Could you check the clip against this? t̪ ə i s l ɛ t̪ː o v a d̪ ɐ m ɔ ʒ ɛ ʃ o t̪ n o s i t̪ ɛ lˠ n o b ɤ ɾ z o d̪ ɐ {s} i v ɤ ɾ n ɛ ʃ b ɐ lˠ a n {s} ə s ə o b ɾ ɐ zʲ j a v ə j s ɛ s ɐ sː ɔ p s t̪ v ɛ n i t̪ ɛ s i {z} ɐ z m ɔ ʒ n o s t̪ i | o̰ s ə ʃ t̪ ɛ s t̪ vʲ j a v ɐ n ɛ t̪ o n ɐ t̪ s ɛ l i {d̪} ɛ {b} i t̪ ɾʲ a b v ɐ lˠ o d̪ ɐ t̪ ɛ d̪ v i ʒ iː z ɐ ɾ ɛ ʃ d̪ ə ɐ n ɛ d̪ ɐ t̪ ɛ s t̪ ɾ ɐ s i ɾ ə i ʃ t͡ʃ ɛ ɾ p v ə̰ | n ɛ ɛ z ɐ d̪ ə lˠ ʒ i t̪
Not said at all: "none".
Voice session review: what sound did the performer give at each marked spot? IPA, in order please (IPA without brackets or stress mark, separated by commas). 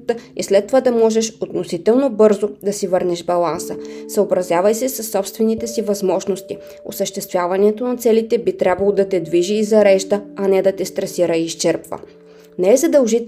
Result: s, s, v, t̪, b